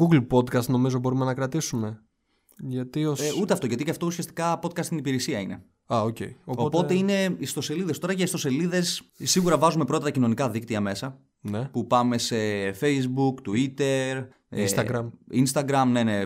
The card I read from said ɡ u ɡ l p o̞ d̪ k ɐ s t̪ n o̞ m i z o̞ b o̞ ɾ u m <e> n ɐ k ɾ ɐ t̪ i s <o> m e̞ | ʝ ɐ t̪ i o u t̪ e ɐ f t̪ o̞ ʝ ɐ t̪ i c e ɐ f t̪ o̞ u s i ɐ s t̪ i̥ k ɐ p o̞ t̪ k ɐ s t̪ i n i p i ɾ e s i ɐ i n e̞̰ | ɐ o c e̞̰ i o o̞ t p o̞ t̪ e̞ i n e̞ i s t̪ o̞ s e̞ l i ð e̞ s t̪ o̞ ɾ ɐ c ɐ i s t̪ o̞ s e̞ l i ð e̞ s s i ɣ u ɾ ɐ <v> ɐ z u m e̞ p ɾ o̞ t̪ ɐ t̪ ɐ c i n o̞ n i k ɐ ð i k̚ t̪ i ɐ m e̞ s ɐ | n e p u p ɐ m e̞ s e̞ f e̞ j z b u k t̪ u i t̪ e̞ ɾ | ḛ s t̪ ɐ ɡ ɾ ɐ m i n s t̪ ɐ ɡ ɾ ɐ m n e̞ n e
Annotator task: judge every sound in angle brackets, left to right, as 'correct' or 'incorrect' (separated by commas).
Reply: correct, incorrect, correct